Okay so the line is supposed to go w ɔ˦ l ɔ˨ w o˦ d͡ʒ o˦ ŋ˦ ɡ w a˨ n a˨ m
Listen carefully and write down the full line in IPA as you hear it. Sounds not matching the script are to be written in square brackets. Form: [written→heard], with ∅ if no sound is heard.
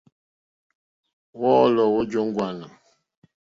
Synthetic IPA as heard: w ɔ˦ l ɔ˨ w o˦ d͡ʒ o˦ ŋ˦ ɡ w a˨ n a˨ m